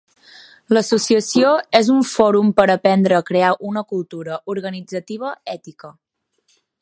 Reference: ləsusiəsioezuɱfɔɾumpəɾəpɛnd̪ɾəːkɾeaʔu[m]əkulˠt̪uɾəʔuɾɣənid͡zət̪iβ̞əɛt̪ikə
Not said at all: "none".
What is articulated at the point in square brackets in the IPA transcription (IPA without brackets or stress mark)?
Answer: n